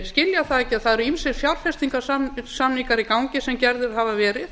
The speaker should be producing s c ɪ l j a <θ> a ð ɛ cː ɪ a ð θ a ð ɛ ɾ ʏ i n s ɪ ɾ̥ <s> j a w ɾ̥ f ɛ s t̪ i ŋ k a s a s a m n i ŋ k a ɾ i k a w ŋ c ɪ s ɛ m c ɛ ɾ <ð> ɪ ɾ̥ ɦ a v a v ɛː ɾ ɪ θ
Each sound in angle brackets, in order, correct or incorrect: correct, incorrect, correct

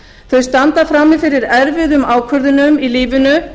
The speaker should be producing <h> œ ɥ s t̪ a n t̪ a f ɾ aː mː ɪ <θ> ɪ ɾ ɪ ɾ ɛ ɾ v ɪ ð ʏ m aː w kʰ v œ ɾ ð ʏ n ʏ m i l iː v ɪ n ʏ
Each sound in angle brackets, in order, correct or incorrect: incorrect, incorrect

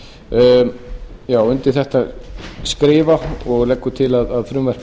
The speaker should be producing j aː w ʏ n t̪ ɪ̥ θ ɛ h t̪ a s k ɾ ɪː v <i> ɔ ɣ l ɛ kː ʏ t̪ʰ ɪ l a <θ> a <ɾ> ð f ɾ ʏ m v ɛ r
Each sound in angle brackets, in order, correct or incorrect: incorrect, incorrect, incorrect

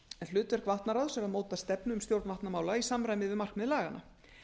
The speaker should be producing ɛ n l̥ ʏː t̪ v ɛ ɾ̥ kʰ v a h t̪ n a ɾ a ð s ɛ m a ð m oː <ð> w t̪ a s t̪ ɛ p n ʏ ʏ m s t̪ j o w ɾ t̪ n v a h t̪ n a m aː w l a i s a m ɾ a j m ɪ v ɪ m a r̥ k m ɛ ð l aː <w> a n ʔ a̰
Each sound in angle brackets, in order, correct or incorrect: incorrect, incorrect

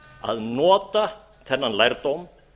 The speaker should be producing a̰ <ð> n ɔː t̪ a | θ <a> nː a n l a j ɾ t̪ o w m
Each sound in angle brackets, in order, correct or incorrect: correct, incorrect

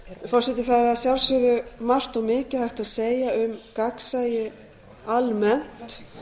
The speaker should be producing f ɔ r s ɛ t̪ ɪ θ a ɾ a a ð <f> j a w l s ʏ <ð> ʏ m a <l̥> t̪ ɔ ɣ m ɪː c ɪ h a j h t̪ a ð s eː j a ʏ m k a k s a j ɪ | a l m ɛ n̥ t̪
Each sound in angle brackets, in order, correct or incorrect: incorrect, correct, incorrect

